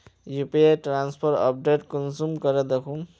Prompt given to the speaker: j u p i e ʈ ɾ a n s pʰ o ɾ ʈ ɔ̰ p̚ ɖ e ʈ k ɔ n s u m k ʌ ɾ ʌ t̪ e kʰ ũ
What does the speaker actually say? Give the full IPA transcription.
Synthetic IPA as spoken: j u p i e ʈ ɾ a n s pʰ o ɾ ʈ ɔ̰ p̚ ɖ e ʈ k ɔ n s u m k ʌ ɾ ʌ d̪ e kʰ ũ